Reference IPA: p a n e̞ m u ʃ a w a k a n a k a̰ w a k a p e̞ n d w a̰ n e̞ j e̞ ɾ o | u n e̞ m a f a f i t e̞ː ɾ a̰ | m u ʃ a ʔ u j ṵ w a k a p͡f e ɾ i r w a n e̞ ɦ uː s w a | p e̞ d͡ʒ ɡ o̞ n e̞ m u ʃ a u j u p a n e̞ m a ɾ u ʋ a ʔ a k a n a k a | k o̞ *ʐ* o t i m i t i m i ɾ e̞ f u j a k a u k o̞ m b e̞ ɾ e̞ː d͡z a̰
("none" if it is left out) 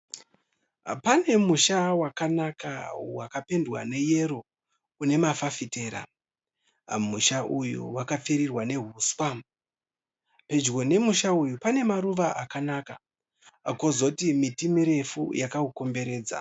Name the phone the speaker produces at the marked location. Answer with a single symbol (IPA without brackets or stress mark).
z